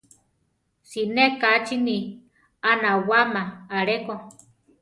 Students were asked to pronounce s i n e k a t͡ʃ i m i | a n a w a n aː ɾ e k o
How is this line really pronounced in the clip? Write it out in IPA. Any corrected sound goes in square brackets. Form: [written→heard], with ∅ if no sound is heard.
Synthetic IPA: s i n e k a t͡ʃ i [m→n] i | a n a w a [n→m] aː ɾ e k o